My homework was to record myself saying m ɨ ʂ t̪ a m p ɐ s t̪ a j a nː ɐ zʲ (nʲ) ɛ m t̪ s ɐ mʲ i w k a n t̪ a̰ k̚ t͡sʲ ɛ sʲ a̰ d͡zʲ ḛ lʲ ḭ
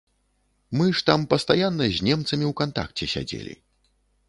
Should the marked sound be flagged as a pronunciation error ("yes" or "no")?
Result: no